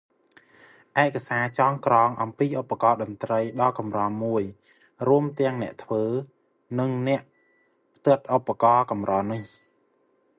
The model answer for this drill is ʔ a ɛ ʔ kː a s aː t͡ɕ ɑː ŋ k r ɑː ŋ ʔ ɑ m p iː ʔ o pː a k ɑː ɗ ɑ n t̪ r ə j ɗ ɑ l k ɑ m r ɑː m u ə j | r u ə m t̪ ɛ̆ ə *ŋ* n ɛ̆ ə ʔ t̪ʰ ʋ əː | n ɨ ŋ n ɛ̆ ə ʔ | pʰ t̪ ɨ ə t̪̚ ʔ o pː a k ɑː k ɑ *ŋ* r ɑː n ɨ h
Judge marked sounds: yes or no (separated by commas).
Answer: yes, no